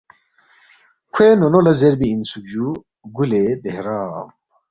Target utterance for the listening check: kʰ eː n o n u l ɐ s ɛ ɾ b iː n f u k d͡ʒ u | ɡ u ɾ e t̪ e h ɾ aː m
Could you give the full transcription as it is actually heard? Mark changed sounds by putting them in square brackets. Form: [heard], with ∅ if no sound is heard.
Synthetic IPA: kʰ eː n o n [o] l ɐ [z] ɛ ɾ b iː n [s] u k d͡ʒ u | ɡ u [l] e [d̪] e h ɾ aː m